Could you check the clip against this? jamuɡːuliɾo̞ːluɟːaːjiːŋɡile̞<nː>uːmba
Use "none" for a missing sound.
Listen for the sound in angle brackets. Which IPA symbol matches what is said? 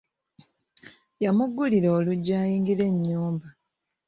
ɲː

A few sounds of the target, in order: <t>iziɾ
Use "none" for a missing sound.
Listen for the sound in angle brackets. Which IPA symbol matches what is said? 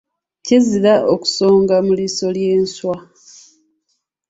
c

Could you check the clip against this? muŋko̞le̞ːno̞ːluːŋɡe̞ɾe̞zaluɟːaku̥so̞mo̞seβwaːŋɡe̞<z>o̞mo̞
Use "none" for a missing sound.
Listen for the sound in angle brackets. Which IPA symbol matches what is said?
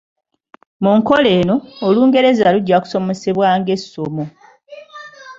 s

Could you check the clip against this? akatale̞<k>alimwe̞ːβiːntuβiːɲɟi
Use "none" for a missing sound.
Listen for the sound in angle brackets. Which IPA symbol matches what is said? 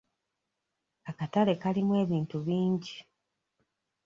k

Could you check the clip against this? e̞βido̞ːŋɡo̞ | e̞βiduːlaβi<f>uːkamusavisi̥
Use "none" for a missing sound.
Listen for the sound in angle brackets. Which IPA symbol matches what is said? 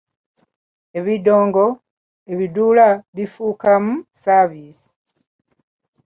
f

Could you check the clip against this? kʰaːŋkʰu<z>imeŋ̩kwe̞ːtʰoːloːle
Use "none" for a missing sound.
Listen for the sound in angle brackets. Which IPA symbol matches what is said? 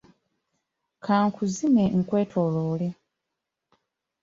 z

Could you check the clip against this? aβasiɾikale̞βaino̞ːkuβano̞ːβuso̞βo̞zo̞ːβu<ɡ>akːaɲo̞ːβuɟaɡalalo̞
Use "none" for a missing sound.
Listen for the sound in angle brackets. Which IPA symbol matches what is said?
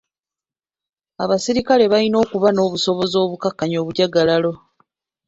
k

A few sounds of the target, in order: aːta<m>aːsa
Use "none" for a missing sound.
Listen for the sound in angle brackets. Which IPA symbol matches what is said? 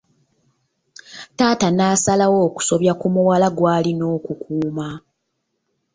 n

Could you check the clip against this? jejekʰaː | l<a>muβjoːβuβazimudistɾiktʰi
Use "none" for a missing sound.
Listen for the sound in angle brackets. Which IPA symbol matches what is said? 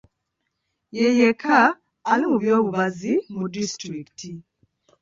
i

